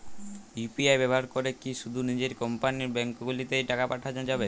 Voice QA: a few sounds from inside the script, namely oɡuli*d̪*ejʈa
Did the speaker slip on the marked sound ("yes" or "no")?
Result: yes